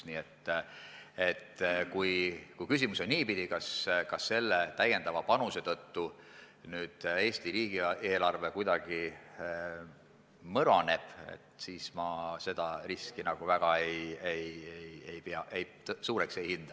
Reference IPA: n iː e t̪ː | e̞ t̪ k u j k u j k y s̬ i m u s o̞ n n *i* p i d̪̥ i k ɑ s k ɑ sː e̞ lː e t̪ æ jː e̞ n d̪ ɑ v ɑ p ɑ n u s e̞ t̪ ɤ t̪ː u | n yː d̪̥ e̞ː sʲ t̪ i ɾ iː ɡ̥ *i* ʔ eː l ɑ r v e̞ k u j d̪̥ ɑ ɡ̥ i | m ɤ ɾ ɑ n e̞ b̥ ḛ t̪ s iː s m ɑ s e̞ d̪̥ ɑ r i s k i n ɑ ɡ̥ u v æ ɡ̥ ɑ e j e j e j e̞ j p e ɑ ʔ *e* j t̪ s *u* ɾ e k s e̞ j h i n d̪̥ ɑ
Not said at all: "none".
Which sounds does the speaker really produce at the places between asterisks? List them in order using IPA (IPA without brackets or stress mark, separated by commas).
iː, i, e, uː